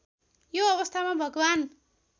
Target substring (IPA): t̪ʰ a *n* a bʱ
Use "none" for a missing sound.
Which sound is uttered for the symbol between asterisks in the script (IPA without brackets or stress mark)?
m